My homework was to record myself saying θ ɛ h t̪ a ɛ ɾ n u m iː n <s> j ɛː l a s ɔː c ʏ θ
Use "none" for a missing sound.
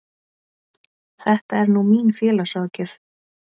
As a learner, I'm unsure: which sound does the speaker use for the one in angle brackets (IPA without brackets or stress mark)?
f